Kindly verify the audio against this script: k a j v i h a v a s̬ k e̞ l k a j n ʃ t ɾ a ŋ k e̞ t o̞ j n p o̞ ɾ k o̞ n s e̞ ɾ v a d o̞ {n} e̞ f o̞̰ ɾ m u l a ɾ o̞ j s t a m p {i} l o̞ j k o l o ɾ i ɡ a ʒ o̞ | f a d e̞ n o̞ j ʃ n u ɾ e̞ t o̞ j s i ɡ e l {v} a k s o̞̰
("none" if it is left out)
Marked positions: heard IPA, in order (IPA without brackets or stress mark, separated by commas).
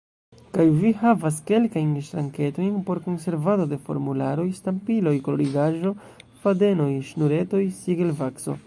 d, i, v